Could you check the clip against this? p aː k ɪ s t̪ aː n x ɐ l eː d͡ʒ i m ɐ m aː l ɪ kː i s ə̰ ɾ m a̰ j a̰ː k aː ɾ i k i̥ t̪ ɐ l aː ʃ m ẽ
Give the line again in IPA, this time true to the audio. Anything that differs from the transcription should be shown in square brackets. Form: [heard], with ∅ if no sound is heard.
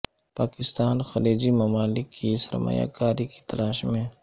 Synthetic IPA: p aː k ɪ s t̪ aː n x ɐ l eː d͡ʒ i m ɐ m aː l ɪ kː i s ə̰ ɾ m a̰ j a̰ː k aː ɾ i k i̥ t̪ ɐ l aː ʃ m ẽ